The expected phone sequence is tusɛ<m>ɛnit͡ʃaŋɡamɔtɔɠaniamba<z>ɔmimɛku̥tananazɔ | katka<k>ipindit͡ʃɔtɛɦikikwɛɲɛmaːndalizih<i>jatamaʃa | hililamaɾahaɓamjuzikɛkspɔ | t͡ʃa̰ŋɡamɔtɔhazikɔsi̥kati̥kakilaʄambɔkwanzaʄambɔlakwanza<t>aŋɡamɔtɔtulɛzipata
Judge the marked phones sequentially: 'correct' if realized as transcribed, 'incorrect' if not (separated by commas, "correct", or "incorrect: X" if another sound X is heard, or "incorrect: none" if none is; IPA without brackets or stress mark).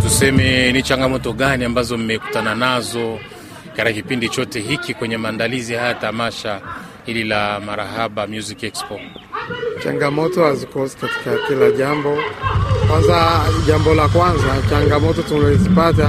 correct, correct, correct, incorrect: a, incorrect: t͡ʃ